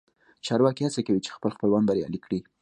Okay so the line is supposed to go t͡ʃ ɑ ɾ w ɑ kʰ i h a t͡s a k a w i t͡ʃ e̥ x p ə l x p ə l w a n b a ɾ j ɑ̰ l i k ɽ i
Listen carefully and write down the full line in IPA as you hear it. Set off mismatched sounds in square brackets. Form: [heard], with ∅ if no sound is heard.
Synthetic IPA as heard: t͡ʃ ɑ ɾ w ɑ [k] i h a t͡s a k a w i t͡ʃ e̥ x p ə l x p ə l w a n b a ɾ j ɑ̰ l i k ɽ i